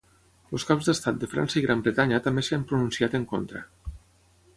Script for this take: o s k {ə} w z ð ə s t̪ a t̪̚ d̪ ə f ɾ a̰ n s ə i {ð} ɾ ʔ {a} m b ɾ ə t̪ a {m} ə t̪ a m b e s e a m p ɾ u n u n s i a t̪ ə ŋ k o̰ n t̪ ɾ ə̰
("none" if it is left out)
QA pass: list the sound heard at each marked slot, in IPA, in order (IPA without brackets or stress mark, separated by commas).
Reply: a, ɣ, a, ɲ